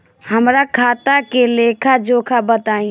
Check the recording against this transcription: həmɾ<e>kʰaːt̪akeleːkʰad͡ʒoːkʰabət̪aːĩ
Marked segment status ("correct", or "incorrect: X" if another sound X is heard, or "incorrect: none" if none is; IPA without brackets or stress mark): incorrect: a